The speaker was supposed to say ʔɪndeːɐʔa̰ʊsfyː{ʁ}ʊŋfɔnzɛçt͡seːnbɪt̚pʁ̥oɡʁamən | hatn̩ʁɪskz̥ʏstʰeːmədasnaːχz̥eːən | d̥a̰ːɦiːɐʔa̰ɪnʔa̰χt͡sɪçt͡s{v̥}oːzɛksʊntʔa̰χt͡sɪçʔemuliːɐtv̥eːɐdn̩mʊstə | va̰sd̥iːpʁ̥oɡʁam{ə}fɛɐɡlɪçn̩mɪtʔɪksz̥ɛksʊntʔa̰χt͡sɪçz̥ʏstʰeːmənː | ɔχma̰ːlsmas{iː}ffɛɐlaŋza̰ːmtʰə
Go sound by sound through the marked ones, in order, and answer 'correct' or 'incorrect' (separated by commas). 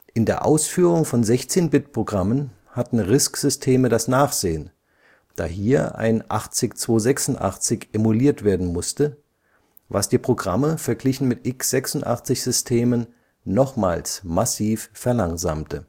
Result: correct, correct, correct, correct